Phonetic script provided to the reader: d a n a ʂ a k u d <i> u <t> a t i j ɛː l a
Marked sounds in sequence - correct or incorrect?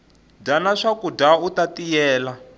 incorrect: a, correct

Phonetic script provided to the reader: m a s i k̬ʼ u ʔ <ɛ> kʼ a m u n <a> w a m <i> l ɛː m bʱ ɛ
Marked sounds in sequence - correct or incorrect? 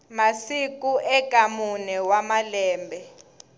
correct, incorrect: ɛ, incorrect: a

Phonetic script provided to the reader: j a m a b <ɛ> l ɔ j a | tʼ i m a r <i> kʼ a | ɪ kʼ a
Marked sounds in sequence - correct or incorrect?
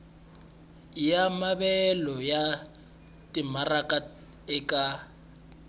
correct, incorrect: a

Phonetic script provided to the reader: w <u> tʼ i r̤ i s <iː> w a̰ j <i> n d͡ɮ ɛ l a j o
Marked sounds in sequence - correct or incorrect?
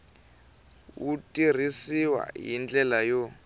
correct, incorrect: i, correct

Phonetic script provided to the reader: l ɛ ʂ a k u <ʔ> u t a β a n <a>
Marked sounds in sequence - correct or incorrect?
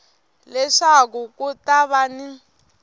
incorrect: k, incorrect: i

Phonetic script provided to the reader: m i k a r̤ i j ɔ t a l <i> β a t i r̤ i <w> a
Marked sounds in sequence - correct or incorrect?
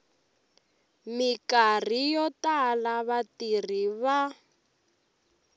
incorrect: a, incorrect: β

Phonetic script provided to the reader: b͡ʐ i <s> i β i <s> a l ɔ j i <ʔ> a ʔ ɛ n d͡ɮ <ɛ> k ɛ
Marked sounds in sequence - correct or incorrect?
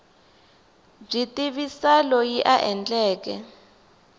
incorrect: t, correct, correct, incorrect: ɛː

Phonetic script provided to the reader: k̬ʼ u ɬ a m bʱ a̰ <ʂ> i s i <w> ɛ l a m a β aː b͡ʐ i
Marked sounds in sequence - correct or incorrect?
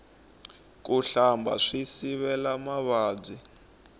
correct, incorrect: β

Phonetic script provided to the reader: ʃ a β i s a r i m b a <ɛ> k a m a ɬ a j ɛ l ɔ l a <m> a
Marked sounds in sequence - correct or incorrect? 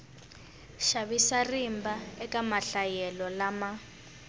correct, correct

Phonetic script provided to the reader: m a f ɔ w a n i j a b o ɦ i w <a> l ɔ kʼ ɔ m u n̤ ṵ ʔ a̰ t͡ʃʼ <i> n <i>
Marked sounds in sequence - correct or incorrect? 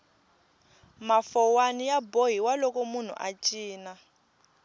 correct, incorrect: iː, incorrect: a

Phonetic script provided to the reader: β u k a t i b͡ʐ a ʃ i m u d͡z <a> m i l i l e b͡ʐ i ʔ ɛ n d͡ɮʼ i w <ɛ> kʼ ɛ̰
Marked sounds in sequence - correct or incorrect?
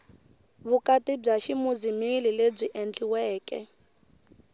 incorrect: i, incorrect: ɛː

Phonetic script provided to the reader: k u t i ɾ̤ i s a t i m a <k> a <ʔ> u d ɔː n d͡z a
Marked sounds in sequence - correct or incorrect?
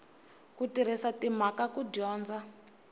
correct, incorrect: k

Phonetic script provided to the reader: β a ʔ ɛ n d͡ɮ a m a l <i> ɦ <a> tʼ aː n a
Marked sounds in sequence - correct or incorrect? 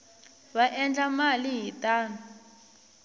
correct, incorrect: i

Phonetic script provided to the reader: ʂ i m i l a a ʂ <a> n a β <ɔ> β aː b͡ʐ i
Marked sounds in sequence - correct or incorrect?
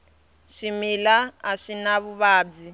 incorrect: i, incorrect: u

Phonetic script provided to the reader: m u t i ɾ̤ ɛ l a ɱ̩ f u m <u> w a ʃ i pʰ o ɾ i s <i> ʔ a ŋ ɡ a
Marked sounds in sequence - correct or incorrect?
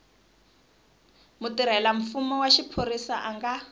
incorrect: ɔ, incorrect: a

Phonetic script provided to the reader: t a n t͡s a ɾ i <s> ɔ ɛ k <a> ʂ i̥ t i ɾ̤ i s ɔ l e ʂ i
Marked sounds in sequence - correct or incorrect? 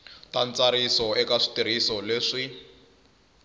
correct, correct

